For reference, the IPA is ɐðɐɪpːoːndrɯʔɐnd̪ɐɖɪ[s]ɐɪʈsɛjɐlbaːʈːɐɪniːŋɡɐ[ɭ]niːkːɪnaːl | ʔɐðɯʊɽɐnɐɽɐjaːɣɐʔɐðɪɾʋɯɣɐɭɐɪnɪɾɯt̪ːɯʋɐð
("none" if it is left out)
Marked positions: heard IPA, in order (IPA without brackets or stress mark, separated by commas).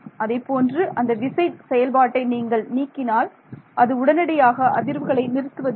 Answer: s, ɭ